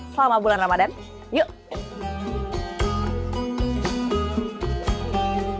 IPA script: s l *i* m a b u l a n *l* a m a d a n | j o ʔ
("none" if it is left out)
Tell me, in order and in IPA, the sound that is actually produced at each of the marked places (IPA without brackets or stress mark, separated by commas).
a, r